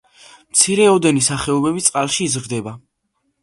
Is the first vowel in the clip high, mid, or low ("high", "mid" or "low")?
high